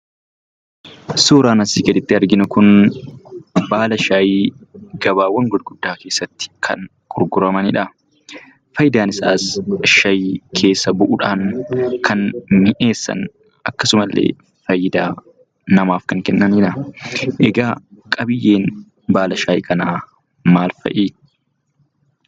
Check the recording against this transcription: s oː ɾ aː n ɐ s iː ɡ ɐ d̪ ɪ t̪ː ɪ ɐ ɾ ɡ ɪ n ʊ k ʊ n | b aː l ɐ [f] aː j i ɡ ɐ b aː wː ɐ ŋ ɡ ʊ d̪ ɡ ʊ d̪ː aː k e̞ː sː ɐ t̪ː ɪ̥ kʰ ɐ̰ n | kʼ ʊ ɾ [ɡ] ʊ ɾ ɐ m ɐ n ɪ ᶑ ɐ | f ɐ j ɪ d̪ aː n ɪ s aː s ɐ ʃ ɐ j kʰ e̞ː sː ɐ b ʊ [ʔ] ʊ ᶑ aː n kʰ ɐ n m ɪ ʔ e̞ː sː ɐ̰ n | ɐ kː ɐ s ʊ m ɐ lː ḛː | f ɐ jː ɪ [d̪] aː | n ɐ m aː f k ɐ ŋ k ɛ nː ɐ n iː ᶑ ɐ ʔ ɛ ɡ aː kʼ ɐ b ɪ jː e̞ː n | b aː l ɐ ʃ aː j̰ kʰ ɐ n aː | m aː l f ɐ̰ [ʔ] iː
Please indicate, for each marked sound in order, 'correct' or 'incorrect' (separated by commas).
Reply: incorrect, correct, correct, correct, correct